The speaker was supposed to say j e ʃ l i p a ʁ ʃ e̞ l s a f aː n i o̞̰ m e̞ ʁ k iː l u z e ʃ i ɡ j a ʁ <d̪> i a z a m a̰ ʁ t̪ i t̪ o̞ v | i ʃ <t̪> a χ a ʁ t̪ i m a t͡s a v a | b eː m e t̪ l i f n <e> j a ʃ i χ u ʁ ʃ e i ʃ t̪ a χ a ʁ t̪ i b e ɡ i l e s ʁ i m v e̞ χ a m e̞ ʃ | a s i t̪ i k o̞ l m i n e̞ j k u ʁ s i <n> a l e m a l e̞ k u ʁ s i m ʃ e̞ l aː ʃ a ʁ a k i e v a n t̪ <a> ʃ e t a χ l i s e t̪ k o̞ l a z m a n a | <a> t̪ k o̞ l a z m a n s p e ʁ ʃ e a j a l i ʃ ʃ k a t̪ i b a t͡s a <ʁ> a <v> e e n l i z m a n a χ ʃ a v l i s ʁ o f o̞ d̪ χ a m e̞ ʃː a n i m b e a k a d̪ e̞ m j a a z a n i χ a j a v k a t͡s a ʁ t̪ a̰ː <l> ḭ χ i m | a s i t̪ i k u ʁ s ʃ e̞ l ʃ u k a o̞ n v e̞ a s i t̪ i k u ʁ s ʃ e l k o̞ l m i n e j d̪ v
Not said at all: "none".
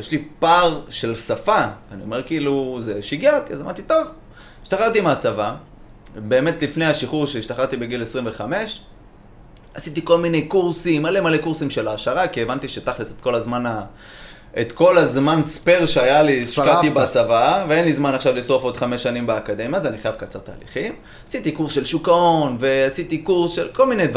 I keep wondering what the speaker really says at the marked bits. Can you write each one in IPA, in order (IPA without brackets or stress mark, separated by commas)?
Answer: t̪, t̪, e, m, i, e, v, v, l